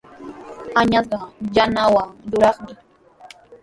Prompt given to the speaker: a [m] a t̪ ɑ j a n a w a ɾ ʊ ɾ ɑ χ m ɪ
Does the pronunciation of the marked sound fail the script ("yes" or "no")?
yes